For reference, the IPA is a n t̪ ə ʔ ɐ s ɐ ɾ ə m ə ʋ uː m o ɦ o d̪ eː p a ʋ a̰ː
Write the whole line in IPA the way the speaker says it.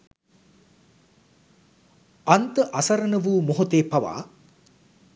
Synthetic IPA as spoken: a n t̪ ə ʔ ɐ s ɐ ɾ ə n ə ʋ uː m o ɦ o t̪ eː p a ʋ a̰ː

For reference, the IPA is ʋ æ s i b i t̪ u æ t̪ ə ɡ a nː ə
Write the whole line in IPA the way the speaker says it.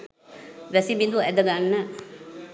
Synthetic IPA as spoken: ʋ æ s i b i d̪ u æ d̪ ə ɡ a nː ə

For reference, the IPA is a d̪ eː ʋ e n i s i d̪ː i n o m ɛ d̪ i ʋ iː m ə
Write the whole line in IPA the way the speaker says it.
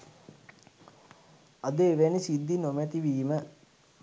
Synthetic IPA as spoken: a d̪ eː ʋ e n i s i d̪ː i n o m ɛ t̪ i ʋ iː m ə

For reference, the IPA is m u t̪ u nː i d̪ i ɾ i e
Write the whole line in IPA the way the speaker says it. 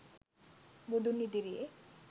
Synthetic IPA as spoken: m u d̪ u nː i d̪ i ɾ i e

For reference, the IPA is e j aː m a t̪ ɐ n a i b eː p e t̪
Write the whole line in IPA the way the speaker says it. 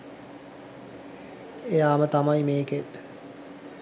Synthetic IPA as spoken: e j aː m ə t̪ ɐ m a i m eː k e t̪

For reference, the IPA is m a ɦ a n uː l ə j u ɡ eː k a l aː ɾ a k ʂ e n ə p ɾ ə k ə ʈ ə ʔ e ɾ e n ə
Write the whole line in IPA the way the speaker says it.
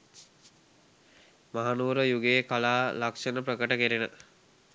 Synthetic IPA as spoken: m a ɦ a n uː ɾ ə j u ɡ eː k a l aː l a k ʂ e n ə p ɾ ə k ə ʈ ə k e ɾ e n ə

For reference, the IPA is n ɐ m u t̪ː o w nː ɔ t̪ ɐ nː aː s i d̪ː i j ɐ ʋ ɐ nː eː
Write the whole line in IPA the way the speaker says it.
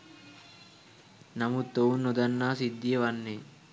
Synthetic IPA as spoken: n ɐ m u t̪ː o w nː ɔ d̪ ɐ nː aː s i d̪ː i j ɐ ʋ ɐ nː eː

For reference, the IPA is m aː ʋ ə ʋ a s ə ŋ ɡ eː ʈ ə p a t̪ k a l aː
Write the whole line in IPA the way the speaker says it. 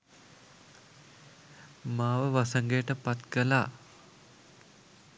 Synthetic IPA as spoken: m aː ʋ ə ʋ a s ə ŋ ɡ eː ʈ ə p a t̪ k ə l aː

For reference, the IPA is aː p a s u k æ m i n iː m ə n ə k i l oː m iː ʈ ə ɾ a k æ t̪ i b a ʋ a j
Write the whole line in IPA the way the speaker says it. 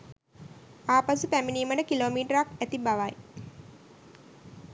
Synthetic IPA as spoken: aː p a s u p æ m i n iː m ə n ə k i l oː m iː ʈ ə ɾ a k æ t̪ i b a ʋ a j

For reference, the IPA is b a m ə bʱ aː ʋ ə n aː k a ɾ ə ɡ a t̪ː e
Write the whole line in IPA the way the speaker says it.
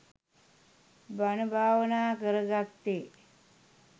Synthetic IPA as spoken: b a n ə bʱ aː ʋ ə n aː k ə ɾ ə ɡ a t̪ː e

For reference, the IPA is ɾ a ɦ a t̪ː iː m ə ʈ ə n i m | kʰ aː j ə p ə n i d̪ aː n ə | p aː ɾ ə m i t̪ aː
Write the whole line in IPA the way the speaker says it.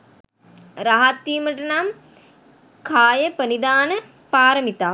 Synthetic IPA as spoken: ɾ a ɦ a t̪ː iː m ə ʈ ə n a m | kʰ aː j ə p ə n i d̪ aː n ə | p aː ɾ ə m i t̪ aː

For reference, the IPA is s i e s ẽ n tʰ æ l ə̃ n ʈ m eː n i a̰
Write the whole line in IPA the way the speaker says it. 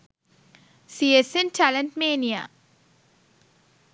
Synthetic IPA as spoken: s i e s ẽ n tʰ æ l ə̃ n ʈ m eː n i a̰

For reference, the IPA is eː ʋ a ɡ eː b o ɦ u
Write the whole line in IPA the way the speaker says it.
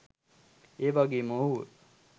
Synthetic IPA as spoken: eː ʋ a ɡ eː m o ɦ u

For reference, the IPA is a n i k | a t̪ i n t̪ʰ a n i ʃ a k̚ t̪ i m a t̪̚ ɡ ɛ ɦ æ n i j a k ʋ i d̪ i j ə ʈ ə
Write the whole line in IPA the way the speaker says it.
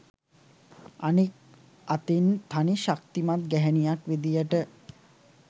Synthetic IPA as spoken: a n i k | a t̪ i n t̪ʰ a n i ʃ a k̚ t̪ i m a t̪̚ ɡ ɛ ɦ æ n i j a k ʋ i d̪ i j ə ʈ ə

